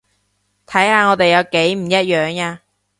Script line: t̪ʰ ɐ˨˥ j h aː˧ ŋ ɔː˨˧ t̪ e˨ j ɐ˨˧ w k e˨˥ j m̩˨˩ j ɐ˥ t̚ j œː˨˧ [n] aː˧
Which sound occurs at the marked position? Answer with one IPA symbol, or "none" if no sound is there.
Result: ŋ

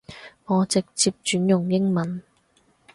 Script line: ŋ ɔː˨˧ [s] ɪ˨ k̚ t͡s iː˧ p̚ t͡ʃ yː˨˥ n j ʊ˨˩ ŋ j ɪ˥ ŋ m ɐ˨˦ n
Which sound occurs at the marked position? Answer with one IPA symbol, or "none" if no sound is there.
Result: t͡s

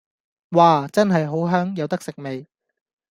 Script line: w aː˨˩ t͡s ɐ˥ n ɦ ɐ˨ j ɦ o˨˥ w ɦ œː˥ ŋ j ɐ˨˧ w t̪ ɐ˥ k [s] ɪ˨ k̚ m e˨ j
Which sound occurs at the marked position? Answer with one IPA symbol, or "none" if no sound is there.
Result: s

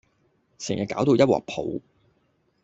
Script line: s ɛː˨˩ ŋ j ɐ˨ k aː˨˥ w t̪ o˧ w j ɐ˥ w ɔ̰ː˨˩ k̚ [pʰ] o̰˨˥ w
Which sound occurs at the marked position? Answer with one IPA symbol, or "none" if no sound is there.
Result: pʰ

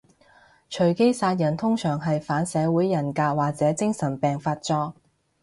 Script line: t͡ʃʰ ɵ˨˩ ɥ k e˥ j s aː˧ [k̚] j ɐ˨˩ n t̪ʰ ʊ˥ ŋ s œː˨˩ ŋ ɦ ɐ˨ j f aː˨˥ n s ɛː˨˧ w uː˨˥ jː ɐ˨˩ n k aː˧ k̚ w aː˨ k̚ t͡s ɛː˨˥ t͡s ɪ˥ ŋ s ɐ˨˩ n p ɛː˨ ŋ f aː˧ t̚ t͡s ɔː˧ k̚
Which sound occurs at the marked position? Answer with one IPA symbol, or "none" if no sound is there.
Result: t̚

